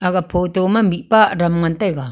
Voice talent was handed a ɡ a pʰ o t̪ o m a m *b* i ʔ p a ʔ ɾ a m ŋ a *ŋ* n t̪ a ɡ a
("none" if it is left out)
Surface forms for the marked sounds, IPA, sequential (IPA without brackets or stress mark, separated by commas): b, none